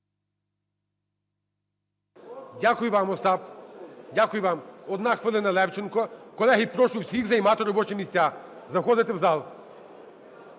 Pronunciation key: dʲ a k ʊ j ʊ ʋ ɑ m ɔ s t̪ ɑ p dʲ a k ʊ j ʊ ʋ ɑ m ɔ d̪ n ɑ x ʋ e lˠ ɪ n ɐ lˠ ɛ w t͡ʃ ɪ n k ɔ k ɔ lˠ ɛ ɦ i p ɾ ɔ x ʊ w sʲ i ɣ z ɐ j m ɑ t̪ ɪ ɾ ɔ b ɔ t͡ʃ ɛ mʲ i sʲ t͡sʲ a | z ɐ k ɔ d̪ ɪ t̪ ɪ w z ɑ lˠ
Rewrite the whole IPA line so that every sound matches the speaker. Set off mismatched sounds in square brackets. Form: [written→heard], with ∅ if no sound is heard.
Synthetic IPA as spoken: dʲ a k ʊ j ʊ ʋ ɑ m ɔ s t̪ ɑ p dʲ a k ʊ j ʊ ʋ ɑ m ɔ d̪ n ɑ x ʋ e lˠ ɪ n ɐ lˠ ɛ w t͡ʃ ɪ n k ɔ k ɔ lˠ ɛ ɦ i p ɾ ɔ [x→ʃ] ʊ w sʲ i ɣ z ɐ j m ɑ t̪ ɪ ɾ ɔ b ɔ t͡ʃ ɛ mʲ i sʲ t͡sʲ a | z ɐ [k→x] ɔ d̪ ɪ t̪ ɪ w z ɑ lˠ